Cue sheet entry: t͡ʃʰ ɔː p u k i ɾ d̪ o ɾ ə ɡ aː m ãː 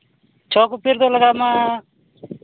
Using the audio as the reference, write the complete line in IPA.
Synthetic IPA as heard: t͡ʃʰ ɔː k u p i ɾ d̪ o l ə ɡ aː m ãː